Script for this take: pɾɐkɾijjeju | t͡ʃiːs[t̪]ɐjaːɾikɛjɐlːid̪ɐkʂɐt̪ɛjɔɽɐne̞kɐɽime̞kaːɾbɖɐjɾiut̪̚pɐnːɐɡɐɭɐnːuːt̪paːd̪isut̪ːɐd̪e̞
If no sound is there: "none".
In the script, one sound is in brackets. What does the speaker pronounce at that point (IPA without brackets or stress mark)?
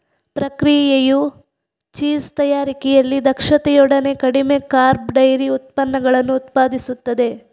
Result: t̪